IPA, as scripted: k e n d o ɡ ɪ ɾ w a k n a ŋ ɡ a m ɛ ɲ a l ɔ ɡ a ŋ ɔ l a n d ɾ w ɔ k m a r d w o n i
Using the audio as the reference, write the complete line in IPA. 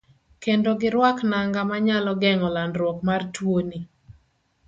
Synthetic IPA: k e n d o ɡ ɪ ɾ w a k n a ŋ ɡ a m a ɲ a l ɔ ɡ ɛ ŋ ɔ l a n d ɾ w ɔ k m a r t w o n i